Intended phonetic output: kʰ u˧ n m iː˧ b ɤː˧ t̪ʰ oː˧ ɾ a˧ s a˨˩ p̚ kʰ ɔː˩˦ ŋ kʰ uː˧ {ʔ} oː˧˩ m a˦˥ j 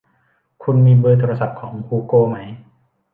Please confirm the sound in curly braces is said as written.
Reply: no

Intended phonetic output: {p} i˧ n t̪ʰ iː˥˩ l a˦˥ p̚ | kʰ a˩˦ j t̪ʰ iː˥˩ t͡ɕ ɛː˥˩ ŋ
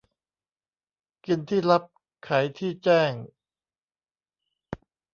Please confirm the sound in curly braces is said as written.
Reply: no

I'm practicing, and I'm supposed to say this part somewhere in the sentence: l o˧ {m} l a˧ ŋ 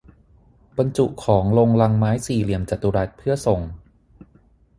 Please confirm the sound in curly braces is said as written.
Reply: no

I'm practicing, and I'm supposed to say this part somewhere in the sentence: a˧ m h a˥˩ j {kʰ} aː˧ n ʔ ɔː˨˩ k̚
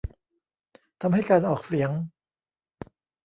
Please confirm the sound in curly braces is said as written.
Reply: no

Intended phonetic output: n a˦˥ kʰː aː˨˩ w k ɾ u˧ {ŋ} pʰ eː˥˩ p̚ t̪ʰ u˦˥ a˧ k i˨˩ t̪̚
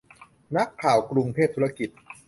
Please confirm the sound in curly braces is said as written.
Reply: yes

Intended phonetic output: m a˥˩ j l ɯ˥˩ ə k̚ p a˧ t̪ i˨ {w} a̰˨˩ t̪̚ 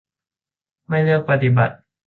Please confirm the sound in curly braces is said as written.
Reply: no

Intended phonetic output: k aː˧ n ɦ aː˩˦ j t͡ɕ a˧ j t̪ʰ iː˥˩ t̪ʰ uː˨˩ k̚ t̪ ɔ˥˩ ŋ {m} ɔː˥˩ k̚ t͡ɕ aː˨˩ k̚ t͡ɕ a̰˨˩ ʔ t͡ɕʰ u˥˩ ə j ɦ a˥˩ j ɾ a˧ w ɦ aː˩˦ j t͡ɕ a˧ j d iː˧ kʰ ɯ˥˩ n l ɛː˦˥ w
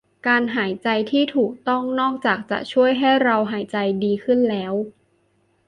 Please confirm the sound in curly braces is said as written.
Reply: no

